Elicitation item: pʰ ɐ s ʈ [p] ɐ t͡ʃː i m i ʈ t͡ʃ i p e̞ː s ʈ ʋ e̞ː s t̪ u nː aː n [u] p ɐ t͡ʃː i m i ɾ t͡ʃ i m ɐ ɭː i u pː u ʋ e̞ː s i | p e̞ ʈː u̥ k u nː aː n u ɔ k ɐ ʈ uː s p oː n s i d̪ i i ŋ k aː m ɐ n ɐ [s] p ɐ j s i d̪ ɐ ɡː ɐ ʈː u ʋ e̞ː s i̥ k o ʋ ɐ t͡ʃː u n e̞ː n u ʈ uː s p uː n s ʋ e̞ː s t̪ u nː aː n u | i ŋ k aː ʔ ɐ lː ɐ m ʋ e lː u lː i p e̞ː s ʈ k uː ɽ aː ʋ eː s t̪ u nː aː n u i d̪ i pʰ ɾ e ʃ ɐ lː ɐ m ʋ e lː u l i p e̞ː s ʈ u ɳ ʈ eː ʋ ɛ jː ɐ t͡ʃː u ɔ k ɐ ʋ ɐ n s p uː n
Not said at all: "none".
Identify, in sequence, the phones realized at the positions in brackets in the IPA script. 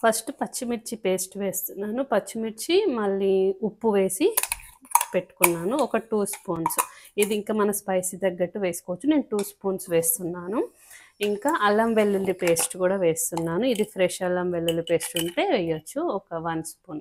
p, u, s

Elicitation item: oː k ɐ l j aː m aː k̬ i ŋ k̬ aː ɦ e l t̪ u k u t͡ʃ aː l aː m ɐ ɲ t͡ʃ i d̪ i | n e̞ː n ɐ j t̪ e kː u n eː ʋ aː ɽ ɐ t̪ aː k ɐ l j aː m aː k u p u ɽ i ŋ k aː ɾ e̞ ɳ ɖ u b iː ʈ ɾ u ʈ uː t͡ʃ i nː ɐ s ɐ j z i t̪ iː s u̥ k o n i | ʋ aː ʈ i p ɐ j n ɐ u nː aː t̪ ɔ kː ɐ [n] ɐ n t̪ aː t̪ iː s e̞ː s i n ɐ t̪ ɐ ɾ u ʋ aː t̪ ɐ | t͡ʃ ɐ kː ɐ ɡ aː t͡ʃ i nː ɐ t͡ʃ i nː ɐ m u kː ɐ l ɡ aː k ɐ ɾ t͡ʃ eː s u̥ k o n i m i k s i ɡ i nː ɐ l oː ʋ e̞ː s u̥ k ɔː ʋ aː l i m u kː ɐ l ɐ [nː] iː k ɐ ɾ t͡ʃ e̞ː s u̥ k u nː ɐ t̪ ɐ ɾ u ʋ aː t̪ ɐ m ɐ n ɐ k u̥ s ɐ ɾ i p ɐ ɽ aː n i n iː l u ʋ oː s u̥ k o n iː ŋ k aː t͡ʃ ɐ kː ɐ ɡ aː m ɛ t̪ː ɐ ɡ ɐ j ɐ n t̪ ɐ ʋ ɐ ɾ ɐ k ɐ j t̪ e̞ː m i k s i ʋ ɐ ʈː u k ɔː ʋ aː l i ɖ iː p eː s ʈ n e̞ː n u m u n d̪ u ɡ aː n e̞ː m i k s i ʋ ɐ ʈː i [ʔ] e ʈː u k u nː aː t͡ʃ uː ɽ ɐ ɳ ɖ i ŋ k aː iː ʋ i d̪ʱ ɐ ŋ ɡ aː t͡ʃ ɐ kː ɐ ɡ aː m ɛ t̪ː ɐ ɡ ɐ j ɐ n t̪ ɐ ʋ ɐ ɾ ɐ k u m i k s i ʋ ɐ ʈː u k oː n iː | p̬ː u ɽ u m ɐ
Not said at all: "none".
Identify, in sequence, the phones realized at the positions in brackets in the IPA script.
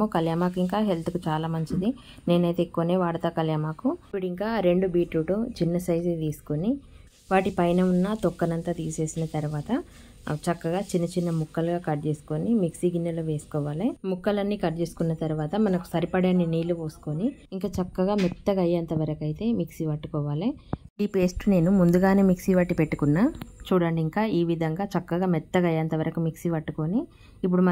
n, nː, p

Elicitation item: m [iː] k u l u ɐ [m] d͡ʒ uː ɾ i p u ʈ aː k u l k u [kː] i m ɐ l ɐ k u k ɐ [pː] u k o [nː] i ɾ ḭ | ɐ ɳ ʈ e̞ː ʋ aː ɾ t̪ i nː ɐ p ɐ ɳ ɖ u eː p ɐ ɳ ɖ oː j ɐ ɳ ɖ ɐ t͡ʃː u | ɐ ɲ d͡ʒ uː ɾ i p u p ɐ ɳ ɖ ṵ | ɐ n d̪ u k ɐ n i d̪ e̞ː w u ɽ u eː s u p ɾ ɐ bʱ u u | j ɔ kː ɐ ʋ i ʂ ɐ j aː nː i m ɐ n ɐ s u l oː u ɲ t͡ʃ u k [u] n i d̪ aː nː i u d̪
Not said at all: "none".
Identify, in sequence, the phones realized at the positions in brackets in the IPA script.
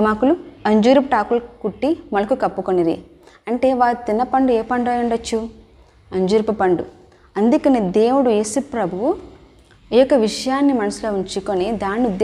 aː, ɲ, ʈː, pː, n, o

